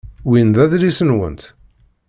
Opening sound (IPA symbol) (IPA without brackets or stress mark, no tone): w